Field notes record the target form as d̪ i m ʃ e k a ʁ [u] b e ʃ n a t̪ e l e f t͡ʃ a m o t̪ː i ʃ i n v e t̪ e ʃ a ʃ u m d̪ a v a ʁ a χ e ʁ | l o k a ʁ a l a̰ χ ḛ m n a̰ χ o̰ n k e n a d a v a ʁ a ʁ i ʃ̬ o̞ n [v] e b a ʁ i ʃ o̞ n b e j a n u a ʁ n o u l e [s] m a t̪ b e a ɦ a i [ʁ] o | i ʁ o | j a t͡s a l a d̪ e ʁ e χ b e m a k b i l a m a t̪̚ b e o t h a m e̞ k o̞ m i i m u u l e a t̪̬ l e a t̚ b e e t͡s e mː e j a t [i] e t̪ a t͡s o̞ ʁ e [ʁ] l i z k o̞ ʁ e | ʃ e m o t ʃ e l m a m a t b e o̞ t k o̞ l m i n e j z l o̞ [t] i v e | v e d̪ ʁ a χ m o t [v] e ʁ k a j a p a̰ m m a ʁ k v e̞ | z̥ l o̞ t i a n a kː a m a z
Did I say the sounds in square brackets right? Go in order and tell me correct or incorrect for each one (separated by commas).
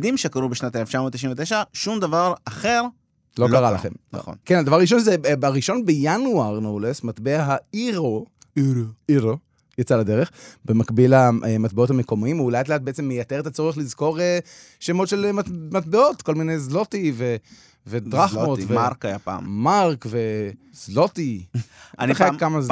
correct, incorrect, correct, correct, incorrect, incorrect, correct, correct